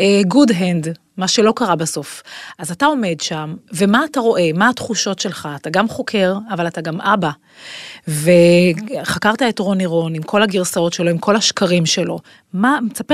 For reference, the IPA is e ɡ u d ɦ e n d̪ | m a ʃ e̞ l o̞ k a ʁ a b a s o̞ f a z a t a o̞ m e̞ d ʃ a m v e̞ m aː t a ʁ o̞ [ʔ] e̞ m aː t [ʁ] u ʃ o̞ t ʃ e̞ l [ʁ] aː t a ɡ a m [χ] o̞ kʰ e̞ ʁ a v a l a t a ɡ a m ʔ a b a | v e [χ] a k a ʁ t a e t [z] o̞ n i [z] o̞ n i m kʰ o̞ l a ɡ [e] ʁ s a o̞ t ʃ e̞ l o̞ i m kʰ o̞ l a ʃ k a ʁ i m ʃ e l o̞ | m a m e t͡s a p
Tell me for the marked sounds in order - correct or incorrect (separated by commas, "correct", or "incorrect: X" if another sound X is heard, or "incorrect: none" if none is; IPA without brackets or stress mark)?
correct, incorrect: χ, incorrect: χ, correct, correct, incorrect: ʁ, incorrect: ʁ, incorrect: i